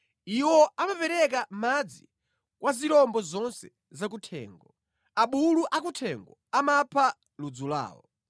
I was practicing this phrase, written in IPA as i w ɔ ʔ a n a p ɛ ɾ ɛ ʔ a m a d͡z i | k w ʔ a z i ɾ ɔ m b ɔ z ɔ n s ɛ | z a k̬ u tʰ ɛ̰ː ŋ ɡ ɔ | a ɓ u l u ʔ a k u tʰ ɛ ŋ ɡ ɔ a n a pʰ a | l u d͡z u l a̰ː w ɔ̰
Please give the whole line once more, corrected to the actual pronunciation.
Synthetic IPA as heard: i w ɔ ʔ a m a p ɛ ɾ ɛ k a m a d͡z i | k w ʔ a z i ɾ ɔ m b ɔ z ɔ n s ɛ | z a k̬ u tʰ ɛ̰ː ŋ ɡ ɔ | a ɓ u l u ʔ a k u tʰ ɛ ŋ ɡ ɔ a m a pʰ a | l u d͡z u l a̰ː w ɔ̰